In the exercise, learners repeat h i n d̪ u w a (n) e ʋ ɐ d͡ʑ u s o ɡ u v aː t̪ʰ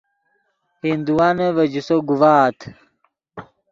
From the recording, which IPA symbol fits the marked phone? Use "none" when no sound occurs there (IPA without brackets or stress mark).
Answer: n